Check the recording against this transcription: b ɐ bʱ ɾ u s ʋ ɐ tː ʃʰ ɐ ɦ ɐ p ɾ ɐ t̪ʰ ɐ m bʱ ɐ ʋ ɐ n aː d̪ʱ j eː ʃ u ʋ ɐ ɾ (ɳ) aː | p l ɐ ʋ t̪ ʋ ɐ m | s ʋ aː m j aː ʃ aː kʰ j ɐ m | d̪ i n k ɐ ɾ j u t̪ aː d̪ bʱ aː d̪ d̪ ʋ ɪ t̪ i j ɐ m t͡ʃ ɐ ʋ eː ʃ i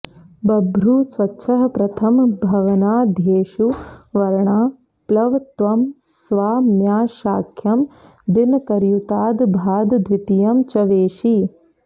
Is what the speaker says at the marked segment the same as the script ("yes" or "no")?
yes